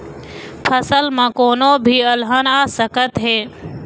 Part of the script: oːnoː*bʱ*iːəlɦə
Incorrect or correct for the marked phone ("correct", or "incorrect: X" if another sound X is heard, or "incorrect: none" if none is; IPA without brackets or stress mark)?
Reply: correct